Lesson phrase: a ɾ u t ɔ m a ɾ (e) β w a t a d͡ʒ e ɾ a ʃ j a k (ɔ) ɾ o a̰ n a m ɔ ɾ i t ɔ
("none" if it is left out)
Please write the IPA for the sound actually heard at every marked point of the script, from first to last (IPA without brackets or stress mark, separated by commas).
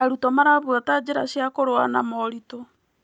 a, o